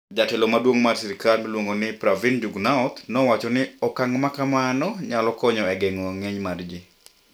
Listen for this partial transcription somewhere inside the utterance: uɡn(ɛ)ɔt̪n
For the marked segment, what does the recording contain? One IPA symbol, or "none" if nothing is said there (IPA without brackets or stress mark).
a